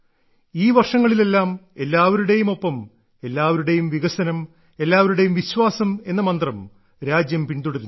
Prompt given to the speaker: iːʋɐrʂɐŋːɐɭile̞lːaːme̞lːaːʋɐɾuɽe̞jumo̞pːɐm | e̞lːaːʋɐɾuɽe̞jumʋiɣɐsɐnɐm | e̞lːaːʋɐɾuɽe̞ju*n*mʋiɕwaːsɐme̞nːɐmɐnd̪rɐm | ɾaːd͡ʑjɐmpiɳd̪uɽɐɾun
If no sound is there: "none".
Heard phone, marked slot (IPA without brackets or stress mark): none